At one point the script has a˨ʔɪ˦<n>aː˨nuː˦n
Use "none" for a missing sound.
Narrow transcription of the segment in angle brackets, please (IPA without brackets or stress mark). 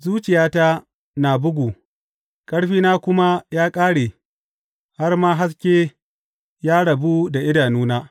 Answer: d